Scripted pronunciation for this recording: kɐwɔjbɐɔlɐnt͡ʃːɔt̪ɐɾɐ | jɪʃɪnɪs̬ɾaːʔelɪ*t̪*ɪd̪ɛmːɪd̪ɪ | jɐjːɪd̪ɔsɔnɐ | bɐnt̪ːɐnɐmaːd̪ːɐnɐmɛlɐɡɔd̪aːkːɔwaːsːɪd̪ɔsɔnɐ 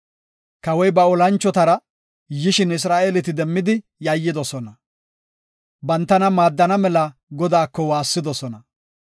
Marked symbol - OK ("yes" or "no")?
yes